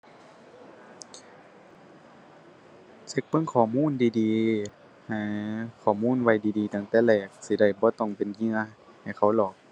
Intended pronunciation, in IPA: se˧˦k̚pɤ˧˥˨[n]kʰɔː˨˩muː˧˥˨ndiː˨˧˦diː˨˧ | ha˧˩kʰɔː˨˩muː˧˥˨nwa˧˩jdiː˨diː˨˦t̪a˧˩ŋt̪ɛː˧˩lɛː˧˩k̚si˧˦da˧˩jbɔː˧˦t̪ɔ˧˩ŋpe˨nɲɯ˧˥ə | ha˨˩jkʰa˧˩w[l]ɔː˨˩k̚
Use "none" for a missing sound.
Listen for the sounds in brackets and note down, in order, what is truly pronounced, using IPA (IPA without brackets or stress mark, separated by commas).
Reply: ŋ, l